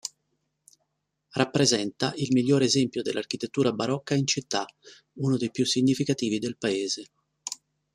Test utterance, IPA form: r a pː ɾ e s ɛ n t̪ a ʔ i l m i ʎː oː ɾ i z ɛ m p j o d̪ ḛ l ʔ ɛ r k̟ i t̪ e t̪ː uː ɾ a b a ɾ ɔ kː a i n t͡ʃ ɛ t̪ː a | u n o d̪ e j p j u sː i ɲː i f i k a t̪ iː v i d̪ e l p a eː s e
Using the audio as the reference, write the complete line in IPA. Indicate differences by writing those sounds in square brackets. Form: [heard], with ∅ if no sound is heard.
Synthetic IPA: r a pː ɾ e [z] ɛ n t̪ a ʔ i l m i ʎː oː ɾ [e] z ɛ m p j o d̪ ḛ l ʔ [a] r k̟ i t̪ e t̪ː uː ɾ a b a ɾ ɔ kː a i n t͡ʃ [i] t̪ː a | u n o d̪ e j p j u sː i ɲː i f i k a t̪ iː v i d̪ e l p a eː [z] e